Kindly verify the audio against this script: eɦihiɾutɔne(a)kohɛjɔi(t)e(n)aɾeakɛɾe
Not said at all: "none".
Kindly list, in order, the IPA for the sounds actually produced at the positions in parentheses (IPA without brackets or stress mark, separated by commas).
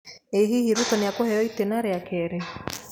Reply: a, t, n